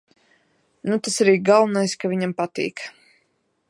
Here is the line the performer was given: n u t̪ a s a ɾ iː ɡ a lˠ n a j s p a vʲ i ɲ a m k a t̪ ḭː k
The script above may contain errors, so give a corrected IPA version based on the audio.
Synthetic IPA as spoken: n u t̪ a s a ɾ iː ɡ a lˠ n a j s k a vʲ i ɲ a m p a t̪ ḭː k